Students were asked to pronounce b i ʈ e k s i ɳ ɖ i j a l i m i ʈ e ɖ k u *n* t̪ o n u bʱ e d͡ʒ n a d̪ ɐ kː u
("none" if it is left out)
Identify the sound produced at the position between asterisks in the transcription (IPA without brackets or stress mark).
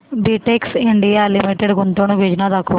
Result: n